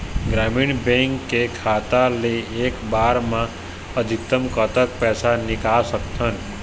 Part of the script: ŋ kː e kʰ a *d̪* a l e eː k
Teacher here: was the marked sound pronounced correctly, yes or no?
no